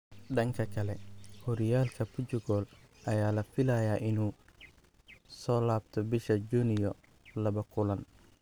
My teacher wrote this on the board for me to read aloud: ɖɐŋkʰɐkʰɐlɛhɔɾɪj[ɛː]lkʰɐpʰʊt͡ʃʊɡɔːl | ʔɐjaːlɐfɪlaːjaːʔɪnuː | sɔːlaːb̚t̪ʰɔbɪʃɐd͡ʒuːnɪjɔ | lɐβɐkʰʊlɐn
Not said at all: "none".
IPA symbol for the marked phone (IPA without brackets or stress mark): aː